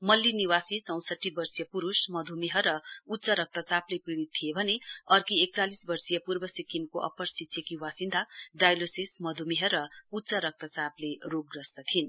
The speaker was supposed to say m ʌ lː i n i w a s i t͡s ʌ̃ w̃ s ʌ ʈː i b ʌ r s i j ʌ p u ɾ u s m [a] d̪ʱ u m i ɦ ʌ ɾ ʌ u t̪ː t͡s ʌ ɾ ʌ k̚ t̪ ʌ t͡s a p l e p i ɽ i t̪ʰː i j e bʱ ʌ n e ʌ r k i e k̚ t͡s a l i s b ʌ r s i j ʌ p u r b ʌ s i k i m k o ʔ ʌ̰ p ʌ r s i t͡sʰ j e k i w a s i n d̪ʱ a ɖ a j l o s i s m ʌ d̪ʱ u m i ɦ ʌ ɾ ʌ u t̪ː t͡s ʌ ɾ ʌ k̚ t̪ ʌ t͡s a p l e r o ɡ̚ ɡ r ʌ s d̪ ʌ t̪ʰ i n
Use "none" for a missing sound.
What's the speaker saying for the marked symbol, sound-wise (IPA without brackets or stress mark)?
ʌ